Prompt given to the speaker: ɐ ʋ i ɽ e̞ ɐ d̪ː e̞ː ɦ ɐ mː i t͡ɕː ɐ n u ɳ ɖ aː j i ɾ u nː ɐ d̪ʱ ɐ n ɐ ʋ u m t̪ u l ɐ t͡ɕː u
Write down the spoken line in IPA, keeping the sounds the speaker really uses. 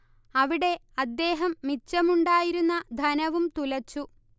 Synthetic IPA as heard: ɐ ʋ i ɽ e̞ ɐ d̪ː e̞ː ɦ ɐ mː i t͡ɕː ɐ m u ɳ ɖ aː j i ɾ u nː ɐ d̪ʱ ɐ n ɐ ʋ u m t̪ u l ɐ t͡ɕː u